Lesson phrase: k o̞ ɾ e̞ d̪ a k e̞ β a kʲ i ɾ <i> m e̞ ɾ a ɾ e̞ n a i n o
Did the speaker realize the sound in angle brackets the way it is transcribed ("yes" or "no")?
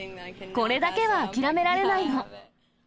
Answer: no